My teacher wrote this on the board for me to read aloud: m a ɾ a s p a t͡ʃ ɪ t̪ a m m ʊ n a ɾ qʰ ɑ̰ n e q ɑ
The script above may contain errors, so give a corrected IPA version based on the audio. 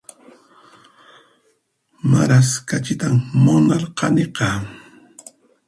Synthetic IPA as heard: m a ɾ a s k a t͡ʃ ɪ t̪ a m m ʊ n a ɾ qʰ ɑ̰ n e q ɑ